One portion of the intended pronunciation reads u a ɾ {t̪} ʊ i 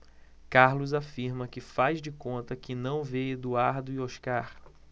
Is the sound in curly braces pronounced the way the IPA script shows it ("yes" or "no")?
no